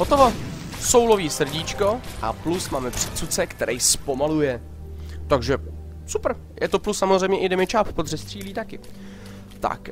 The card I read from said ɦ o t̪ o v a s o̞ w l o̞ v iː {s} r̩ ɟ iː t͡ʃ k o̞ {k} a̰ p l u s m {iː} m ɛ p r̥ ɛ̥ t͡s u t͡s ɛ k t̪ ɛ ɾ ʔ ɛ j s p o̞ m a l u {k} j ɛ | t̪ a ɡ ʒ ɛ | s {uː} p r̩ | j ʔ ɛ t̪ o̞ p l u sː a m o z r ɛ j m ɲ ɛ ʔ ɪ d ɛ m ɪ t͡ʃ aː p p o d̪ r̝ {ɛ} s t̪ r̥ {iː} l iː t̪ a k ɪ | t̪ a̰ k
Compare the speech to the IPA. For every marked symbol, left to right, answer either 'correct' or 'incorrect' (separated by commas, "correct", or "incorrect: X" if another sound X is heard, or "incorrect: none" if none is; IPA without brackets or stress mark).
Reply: correct, incorrect: ʔ, incorrect: aː, incorrect: none, incorrect: u, correct, correct